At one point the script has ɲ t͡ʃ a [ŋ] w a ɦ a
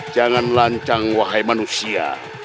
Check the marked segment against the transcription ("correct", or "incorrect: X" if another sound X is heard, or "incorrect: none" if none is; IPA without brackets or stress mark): correct